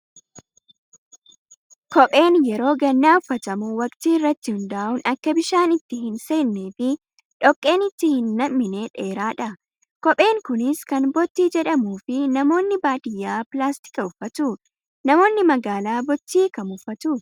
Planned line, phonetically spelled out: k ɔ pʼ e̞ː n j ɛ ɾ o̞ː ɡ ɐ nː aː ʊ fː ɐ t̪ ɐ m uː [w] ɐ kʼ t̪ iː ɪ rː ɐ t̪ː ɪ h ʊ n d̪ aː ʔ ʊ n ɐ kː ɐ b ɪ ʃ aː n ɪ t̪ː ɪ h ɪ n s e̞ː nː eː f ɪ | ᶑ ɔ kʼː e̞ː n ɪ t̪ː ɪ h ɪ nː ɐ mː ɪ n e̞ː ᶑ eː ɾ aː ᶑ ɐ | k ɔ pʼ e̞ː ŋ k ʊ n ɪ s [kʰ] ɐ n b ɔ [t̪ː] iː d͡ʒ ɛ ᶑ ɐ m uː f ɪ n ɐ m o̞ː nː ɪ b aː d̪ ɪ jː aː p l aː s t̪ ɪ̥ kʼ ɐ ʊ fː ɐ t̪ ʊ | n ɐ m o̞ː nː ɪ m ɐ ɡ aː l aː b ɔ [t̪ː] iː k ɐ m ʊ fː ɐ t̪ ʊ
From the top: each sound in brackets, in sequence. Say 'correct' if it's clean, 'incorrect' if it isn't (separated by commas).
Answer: correct, incorrect, correct, correct